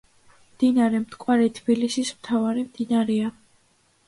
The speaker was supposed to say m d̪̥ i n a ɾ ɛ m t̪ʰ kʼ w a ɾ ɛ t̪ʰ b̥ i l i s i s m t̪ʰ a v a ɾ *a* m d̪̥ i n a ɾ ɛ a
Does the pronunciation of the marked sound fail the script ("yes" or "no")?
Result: yes